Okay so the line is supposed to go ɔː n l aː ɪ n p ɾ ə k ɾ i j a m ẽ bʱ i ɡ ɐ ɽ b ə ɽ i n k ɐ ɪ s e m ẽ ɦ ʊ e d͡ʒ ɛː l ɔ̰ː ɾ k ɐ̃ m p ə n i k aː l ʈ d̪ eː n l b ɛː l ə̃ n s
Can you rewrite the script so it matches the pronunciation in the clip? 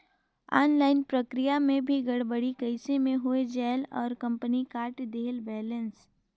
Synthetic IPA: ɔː n l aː ɪ n p ɾ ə k ɾ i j a m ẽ bʱ i ɡ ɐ ɽ b ə ɽ i k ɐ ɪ s e m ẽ ɦ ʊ e d͡ʒ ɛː l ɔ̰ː ɾ k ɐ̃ m p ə n i k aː ɾ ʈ d̪ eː l b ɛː l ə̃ n s